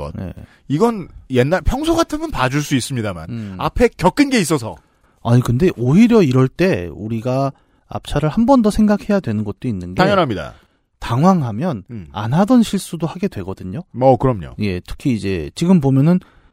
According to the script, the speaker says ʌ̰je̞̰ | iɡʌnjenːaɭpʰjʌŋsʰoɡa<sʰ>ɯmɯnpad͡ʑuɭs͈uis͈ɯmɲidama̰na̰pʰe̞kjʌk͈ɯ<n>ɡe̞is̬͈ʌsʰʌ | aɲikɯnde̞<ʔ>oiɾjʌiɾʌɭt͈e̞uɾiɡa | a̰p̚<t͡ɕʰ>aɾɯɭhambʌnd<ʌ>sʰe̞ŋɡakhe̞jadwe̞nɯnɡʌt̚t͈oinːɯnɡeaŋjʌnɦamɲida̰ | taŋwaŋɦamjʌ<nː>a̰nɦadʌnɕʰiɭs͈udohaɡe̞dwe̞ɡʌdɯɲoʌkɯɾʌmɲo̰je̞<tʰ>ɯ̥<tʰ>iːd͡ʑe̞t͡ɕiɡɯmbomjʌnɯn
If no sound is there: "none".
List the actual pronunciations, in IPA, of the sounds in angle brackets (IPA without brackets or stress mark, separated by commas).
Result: tʰ, n, ʔ, t͡ɕʰ, ʌ, n, tʰ, kʰ